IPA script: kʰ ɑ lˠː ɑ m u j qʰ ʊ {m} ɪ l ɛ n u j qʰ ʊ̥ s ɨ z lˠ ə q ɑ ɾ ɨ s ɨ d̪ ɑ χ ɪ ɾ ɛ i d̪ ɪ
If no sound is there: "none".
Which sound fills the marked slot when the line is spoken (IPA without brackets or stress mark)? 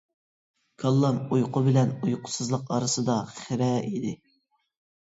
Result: b